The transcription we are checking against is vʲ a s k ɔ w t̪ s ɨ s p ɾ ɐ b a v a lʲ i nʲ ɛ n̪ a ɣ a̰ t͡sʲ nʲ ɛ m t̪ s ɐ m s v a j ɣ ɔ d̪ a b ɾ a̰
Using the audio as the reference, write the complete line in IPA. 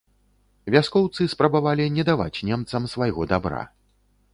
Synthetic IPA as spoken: vʲ a s k ɔ w t̪ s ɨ s p ɾ ɐ b a v a lʲ i nʲ ɛ d̪ a v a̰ t͡sʲ nʲ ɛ m t̪ s ɐ m s v a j ɣ ɔ d̪ a b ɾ a̰